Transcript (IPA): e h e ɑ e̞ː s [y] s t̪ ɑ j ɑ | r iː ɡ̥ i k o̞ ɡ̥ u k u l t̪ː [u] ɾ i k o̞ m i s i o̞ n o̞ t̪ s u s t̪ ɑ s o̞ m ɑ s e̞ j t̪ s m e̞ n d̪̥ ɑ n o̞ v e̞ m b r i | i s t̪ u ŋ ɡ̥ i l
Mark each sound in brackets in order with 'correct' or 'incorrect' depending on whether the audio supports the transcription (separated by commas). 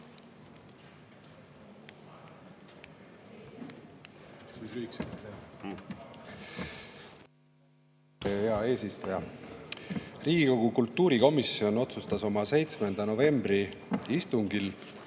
incorrect, incorrect